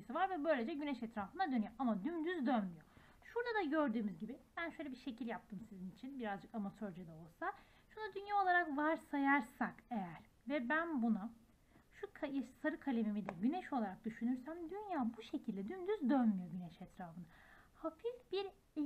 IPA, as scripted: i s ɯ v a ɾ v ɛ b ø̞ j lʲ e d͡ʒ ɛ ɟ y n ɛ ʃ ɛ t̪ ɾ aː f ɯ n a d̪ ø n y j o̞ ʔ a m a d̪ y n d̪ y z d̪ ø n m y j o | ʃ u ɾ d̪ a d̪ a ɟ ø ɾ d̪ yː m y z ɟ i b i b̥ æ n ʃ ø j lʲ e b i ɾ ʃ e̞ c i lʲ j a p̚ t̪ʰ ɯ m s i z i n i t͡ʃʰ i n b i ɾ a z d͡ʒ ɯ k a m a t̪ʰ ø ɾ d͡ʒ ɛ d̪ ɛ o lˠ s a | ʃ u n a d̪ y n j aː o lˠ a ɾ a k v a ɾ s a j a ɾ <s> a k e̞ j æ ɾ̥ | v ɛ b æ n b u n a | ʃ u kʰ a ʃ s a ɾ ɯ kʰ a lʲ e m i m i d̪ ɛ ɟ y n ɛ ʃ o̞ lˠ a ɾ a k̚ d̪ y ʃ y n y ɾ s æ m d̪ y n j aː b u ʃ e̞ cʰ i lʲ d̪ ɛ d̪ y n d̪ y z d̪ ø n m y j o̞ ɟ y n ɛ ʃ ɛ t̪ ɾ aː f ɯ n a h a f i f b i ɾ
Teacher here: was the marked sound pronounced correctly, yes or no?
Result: yes